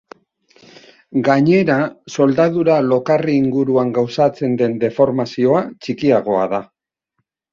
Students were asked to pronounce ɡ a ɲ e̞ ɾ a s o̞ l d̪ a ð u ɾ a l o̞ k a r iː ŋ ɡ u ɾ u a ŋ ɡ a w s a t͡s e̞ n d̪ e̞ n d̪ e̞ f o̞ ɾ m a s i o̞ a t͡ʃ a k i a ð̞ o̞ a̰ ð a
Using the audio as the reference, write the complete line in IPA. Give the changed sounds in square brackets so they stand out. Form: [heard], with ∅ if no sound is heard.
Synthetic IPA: ɡ a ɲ e̞ ɾ a s o̞ l d̪ a ð u ɾ a l o̞ k a r iː ŋ ɡ u ɾ u a ŋ ɡ a w s a t͡s e̞ n d̪ e̞ n d̪ e̞ f o̞ ɾ m a s i o̞ a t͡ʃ [i] k i a [ɣ̞] o̞ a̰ ð a